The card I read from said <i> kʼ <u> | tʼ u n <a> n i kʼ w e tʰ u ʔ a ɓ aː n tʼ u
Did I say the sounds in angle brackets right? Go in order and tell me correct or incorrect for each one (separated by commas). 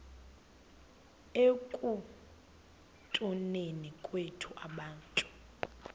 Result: incorrect, correct, incorrect